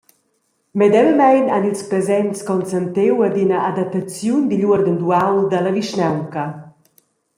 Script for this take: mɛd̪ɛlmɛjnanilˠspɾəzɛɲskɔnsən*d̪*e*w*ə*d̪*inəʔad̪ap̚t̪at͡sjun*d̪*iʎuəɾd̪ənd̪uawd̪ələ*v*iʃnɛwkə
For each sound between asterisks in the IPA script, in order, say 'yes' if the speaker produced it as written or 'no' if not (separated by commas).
no, yes, yes, yes, yes